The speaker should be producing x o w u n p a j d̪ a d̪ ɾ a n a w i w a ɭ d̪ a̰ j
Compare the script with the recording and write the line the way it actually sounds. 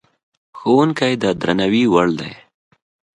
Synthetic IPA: x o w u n k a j d̪ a d̪ ɾ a n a w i w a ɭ d̪ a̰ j